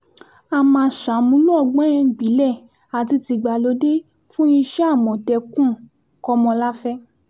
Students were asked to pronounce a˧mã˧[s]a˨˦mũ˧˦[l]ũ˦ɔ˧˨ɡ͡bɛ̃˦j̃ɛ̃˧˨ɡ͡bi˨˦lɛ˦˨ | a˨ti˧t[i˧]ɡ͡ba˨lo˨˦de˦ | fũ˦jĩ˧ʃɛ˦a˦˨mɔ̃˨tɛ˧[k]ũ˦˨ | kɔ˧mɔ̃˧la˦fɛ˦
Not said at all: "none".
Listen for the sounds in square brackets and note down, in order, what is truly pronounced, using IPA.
ʃ, l, i˧, k

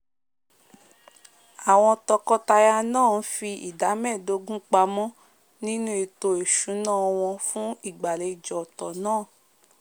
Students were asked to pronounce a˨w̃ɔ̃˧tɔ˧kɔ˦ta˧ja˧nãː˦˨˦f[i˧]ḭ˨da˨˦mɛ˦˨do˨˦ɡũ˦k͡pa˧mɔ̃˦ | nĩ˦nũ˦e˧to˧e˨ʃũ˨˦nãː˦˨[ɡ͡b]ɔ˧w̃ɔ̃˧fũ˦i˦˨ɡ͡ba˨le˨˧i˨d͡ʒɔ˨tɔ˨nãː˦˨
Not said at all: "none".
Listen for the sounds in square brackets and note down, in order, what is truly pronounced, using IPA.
i˧, none

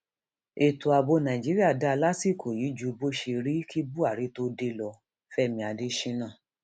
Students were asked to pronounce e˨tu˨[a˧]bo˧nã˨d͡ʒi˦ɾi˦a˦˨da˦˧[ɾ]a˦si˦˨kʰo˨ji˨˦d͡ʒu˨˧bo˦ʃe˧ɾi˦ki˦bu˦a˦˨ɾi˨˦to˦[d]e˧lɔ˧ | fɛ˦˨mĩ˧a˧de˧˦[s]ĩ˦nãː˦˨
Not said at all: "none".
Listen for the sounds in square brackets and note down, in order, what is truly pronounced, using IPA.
a˧, l, d, ʃ

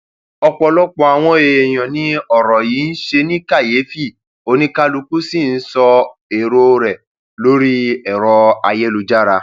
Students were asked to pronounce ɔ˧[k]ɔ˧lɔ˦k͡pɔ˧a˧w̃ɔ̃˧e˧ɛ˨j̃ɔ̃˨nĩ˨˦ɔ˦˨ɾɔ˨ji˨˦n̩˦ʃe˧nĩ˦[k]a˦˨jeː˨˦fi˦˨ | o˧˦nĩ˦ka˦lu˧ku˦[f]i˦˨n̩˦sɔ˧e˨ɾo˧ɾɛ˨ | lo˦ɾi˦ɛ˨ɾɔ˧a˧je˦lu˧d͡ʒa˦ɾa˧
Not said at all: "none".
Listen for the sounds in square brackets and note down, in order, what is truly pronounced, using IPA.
k͡p, k, s

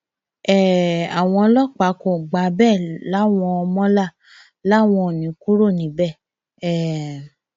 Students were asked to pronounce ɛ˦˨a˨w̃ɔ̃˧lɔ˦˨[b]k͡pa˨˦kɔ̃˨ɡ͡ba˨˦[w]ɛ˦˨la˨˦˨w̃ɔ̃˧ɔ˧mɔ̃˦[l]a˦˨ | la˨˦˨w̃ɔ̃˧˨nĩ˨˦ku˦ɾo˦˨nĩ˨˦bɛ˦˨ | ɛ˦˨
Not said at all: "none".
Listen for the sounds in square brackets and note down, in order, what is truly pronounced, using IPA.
none, b, l

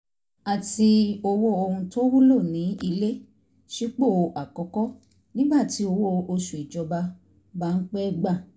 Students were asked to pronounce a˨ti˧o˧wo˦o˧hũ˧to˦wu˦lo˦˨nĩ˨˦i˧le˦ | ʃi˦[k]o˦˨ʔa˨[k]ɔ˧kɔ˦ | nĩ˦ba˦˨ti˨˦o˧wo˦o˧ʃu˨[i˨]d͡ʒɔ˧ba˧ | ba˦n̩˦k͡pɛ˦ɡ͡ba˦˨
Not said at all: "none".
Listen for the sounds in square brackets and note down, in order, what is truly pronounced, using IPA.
k͡p, k, i˨

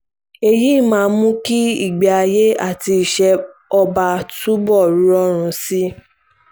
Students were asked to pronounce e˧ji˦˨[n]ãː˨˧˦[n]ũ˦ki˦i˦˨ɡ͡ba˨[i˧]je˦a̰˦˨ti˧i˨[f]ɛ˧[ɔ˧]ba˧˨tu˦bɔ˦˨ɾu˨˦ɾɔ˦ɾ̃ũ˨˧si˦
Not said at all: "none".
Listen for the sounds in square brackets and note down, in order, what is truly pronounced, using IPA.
m, m, a˧, ʃ, ɔ˧

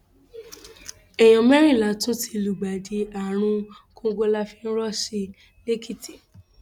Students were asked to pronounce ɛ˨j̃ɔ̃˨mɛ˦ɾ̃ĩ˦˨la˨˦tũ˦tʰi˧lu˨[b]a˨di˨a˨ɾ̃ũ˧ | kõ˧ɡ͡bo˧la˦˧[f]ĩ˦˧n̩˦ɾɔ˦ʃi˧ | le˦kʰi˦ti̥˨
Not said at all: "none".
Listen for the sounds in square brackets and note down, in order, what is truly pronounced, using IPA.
ɡ͡b, f

